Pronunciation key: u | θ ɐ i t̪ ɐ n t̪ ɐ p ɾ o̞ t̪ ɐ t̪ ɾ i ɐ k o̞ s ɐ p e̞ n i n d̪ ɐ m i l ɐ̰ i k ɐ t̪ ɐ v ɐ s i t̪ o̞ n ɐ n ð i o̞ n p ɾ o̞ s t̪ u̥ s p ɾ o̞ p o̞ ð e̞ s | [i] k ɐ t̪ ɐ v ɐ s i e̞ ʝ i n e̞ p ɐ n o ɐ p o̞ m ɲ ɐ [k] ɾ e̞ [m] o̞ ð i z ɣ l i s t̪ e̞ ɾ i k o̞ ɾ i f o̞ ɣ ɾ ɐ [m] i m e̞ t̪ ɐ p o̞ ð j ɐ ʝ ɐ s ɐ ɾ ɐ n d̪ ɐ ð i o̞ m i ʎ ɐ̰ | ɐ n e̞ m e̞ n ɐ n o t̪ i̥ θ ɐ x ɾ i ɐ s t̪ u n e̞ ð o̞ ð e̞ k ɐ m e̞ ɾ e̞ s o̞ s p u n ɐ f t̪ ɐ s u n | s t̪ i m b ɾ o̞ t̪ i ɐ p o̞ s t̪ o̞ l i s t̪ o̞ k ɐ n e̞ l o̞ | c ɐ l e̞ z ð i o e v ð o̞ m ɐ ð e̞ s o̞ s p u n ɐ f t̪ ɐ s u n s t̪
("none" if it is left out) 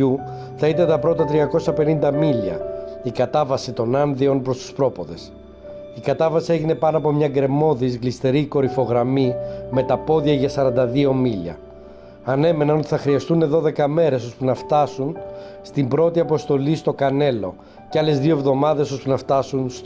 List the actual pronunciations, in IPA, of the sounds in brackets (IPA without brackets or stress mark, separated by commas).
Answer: i, ɡ, m, m